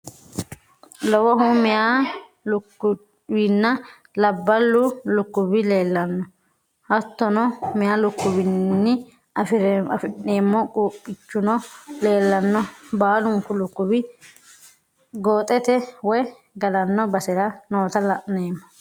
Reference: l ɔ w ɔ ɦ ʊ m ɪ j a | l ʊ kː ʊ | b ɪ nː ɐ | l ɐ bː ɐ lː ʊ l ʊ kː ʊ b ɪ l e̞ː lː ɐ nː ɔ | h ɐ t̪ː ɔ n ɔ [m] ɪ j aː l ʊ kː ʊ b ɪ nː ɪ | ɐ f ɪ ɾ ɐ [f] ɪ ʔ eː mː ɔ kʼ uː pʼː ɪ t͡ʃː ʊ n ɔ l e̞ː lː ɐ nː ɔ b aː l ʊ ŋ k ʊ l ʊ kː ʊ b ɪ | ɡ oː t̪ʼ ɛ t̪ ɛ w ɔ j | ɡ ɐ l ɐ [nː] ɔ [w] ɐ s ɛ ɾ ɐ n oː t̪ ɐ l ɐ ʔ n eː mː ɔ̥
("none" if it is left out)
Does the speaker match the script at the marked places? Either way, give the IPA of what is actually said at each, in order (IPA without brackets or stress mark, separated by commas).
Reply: m, f, nː, b